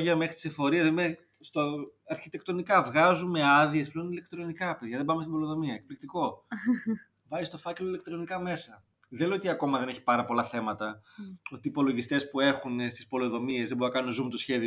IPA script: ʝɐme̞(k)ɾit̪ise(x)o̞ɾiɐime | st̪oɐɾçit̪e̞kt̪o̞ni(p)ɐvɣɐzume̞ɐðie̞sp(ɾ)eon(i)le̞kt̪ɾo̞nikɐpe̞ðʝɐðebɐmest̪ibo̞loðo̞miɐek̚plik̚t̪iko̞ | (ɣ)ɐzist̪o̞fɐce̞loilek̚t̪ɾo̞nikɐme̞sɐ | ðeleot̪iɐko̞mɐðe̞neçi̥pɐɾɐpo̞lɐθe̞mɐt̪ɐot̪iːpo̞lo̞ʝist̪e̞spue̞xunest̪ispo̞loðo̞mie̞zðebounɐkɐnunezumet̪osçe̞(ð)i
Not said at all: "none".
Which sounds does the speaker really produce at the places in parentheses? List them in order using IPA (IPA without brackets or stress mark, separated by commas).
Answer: x, f, k, l, i, v, ð